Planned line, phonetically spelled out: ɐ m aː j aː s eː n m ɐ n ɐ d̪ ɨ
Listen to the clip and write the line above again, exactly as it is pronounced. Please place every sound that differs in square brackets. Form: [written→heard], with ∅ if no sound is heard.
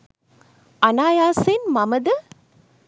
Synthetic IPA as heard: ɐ [m→n] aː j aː s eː n m ɐ [n→m] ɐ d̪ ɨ